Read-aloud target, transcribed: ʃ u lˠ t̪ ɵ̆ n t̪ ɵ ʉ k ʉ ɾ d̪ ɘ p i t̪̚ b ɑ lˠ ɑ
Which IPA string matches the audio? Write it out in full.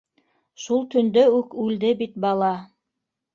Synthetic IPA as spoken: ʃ u lˠ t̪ ɵ̆ n d̪ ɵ ʉ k ʉ l d̪ ɘ b i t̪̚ b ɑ lˠ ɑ